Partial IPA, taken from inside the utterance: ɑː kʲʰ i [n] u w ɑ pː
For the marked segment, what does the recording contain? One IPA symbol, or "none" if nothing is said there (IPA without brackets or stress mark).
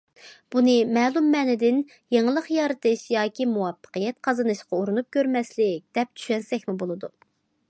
m